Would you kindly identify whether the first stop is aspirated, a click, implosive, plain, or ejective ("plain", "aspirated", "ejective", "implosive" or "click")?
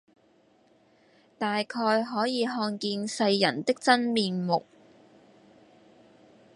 plain